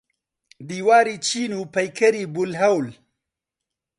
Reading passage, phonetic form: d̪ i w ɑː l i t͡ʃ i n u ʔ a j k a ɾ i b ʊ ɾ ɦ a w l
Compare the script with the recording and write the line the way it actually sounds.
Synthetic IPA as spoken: d̪ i w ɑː ɾ i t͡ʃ i n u p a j k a ɾ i b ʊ l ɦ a w l

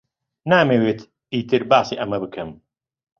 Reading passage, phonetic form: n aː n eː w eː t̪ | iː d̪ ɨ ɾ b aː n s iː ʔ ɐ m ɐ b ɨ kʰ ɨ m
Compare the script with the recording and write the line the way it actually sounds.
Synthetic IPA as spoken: n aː m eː w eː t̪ | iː t̪ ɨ ɾ b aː s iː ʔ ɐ m ɐ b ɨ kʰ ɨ m

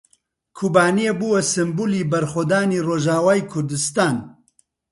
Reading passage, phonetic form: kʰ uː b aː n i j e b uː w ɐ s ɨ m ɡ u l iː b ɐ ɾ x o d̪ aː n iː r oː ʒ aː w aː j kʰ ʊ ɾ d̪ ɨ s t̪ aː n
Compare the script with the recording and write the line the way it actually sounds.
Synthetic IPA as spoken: kʰ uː b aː n i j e b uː w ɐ s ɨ m b u l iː b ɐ ɾ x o d̪ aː n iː r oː ʒ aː w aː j kʰ ʊ ɾ d̪ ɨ s t̪ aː n

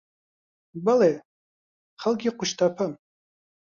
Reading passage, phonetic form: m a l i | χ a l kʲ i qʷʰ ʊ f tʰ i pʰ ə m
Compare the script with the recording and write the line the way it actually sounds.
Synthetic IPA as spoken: b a l e | χ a l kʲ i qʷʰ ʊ ʃ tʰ a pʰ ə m

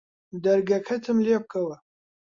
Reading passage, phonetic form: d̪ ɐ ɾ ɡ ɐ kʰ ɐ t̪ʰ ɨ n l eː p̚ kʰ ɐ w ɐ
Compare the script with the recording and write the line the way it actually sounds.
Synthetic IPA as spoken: d̪ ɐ ɾ ɡ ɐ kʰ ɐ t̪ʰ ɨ m l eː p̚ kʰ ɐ w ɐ

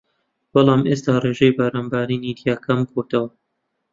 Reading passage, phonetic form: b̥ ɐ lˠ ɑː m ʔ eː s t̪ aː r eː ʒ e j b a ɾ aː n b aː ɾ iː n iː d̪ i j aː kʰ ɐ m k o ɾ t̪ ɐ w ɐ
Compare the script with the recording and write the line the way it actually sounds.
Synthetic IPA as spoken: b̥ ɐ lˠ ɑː m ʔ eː s t̪ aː r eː ʒ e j b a ɾ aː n b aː ɾ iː n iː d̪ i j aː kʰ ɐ m k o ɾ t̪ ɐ w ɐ

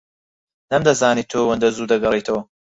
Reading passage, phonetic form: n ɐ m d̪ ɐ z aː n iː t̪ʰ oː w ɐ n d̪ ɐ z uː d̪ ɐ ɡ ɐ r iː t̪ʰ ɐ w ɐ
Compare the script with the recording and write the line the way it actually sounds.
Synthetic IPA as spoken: n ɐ m d̪ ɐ z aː n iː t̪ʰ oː w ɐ n d̪ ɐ z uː d̪ ɐ ɡ ɐ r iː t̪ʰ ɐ w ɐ

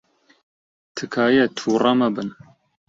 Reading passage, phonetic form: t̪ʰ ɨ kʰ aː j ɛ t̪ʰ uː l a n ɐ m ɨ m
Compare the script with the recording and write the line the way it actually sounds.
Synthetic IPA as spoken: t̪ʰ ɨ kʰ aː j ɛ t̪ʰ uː r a m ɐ b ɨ n

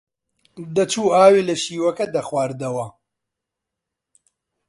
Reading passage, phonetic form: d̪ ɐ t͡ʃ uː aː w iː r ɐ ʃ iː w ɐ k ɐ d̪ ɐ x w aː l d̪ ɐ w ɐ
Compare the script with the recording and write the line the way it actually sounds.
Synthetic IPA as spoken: d̪ ɐ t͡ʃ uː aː w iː l ɐ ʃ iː w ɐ k ɐ d̪ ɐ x w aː ɾ d̪ ɐ w ɐ

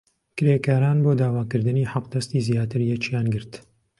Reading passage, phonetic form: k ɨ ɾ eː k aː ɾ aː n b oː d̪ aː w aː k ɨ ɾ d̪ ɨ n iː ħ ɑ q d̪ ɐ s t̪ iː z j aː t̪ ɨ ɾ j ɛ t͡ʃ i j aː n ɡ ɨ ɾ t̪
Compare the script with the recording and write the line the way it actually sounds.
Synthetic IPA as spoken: k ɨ ɾ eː k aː ɾ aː n b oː d̪ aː w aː k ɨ ɾ d̪ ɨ n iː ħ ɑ q d̪ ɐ s t̪ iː z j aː t̪ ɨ ɾ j ɛ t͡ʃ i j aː n ɡ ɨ ɾ t̪

